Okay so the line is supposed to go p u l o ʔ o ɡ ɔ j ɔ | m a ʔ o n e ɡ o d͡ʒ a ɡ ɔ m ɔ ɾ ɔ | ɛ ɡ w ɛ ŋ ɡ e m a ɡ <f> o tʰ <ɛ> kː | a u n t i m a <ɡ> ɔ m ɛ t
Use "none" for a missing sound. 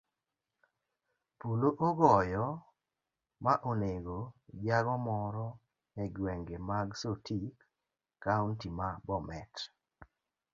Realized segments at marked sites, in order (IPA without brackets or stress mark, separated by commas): s, i, b